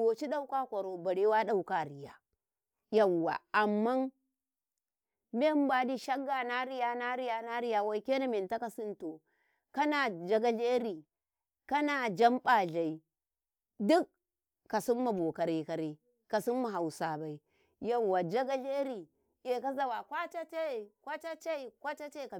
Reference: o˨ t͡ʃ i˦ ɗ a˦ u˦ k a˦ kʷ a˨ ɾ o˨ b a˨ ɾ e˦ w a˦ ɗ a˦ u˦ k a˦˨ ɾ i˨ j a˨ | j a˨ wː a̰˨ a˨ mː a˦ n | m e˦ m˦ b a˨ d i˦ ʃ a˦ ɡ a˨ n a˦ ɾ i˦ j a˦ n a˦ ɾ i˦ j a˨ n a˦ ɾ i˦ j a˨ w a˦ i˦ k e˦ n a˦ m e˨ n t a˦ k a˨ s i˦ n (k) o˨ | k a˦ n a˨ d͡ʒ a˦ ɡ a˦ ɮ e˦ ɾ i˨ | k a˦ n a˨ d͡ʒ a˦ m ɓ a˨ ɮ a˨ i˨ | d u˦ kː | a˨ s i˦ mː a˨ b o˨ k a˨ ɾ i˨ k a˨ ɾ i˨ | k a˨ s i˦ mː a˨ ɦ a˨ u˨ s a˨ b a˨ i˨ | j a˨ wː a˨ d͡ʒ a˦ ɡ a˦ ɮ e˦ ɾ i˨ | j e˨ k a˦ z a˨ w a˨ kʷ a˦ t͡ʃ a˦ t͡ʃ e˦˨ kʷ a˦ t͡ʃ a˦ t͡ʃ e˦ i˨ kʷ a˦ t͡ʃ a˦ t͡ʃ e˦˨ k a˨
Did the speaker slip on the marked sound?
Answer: yes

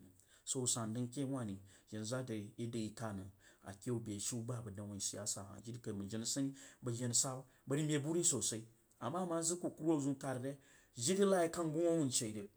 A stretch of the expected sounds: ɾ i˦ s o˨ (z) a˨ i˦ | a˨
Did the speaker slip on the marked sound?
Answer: yes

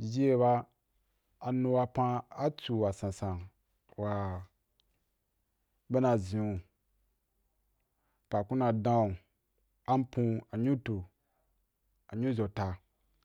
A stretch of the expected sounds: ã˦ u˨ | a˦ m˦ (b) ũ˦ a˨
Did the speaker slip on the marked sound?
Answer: yes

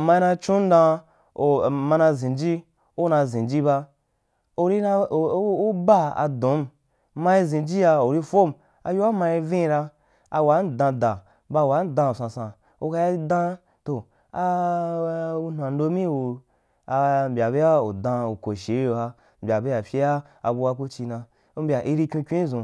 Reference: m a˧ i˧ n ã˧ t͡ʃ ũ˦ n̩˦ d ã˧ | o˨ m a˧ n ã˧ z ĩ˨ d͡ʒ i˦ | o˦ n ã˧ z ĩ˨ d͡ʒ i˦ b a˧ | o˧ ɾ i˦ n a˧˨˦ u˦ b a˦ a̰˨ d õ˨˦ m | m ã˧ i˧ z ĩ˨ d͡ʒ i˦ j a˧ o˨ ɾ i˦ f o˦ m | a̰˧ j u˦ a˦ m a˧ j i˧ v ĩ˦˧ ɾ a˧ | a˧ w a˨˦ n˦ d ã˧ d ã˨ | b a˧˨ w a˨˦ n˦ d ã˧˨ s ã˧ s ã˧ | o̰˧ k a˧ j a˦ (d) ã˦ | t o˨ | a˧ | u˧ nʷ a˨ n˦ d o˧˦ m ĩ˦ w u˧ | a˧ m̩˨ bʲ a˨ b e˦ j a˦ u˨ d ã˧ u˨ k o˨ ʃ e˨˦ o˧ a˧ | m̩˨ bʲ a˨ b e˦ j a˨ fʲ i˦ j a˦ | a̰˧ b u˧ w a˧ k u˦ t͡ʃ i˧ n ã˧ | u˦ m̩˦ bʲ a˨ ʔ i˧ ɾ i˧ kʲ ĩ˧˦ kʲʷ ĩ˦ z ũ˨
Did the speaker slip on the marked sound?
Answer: no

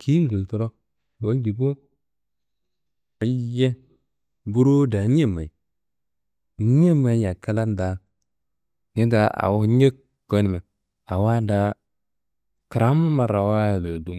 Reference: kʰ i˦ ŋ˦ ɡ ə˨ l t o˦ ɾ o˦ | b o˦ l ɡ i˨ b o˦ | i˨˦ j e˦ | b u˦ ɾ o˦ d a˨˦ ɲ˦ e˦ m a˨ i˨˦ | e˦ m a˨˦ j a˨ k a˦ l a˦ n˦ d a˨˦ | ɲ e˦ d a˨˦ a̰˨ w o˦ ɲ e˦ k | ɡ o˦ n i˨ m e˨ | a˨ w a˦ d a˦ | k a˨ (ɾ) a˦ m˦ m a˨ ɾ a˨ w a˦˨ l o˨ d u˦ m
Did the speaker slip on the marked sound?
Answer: no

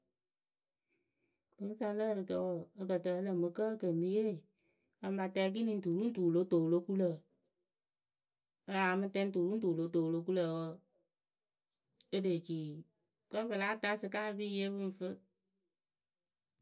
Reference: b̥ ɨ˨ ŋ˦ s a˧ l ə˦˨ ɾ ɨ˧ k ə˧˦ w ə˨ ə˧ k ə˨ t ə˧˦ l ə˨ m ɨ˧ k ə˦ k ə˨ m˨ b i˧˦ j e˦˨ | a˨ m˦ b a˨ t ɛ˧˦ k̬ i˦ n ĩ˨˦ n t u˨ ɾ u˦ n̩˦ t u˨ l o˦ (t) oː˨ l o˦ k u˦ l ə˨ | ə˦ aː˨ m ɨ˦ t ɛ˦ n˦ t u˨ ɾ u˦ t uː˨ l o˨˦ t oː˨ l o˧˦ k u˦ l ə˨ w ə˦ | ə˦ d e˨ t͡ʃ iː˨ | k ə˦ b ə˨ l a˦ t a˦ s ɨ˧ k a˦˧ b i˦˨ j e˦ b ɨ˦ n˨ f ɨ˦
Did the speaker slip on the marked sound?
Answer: no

